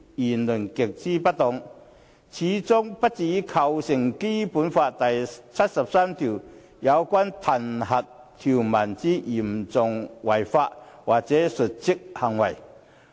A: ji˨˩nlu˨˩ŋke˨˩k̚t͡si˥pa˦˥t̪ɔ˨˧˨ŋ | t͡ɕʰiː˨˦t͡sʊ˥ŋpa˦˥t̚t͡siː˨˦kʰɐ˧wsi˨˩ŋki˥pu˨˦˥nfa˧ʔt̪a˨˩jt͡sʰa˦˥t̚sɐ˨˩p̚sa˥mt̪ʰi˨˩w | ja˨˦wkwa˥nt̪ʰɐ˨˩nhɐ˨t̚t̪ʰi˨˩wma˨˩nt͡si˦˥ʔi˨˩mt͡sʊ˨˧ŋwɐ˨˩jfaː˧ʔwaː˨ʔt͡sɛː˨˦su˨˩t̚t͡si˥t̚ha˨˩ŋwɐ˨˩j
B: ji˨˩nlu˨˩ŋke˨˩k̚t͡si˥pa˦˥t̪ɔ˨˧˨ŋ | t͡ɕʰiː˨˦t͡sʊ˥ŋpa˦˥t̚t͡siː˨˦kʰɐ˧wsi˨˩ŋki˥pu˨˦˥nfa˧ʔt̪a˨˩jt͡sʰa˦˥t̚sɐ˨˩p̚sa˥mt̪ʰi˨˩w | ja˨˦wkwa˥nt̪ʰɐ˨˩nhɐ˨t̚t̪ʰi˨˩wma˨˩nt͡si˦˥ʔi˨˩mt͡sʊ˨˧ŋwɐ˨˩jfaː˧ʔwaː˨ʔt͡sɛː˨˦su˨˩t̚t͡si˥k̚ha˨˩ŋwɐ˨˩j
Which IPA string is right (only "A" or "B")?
B